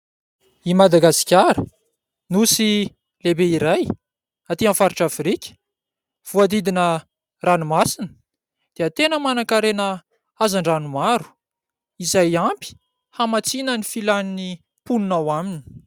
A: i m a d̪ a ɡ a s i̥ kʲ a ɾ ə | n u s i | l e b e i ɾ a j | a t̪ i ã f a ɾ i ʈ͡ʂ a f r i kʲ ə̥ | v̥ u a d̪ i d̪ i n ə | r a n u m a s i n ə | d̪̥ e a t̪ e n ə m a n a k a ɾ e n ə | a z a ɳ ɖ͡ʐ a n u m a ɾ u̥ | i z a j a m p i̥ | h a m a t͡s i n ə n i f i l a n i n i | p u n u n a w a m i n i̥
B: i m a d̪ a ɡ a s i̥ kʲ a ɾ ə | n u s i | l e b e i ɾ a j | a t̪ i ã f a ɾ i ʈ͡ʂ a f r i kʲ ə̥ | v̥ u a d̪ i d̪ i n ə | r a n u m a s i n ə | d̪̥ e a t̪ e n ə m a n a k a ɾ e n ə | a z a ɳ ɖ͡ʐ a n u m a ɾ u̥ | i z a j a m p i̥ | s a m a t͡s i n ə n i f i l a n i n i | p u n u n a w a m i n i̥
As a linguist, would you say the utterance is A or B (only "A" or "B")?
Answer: A